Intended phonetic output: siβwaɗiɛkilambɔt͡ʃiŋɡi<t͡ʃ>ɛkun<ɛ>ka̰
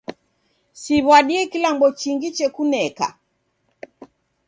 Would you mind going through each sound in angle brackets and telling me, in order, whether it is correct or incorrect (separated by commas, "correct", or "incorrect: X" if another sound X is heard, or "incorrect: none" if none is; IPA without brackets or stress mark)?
correct, correct